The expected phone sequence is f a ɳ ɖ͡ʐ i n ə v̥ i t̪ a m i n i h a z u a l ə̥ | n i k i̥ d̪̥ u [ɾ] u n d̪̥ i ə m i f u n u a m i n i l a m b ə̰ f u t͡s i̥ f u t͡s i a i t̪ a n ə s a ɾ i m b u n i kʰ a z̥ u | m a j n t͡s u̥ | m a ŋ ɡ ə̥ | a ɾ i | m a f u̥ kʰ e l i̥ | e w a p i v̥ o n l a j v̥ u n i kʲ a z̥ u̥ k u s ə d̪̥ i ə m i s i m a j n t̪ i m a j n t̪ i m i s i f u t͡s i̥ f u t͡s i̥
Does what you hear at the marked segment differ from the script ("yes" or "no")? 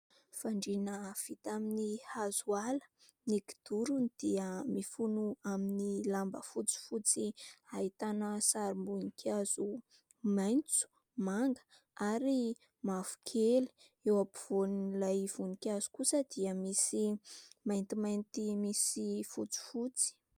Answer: no